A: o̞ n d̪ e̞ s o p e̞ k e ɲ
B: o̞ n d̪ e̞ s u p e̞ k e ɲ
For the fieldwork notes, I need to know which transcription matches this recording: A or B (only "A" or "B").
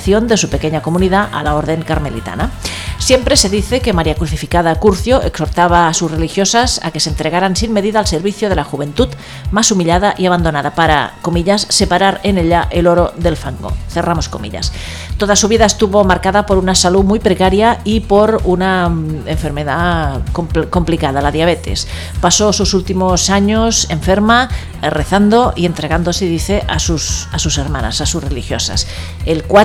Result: B